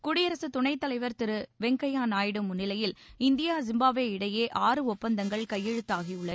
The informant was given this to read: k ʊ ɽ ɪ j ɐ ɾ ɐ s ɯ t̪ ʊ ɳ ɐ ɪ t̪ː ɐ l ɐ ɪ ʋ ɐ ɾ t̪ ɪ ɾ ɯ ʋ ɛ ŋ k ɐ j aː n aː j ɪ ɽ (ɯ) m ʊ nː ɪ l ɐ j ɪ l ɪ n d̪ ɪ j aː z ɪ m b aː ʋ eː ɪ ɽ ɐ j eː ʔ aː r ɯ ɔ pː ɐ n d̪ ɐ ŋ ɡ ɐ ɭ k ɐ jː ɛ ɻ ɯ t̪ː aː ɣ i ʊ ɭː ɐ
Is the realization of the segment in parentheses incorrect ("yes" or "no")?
no